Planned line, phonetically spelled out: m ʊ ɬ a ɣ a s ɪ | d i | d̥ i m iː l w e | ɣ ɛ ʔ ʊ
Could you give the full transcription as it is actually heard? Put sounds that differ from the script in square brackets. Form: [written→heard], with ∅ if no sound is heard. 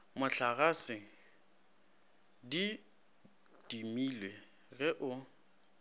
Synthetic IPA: m ʊ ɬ a ɣ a s ɪ | d i | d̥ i m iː l w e | ɣ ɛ ʔ ʊ